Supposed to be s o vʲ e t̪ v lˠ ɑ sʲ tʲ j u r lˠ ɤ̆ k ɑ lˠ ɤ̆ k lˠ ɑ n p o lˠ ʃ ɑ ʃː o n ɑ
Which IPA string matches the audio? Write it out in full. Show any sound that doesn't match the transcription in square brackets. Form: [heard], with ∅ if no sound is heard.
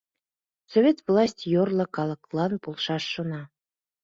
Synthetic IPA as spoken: s o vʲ e t̪ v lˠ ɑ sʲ tʲ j [o] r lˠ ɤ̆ k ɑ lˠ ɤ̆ k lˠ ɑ n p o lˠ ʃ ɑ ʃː o n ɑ